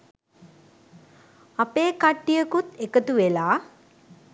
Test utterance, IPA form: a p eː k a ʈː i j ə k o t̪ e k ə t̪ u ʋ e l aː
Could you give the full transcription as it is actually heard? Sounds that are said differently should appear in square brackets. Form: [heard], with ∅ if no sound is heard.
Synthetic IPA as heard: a p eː k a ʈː i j ə k [u] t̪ e k ə t̪ u ʋ e l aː